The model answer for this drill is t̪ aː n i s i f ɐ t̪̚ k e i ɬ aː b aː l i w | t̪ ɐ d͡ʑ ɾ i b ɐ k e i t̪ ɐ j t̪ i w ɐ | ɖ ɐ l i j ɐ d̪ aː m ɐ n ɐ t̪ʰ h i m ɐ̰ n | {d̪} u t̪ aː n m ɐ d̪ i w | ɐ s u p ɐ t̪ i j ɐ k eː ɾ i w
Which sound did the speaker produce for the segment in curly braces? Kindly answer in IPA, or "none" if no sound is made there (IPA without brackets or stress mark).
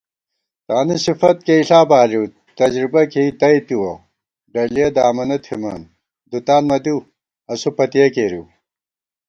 d̪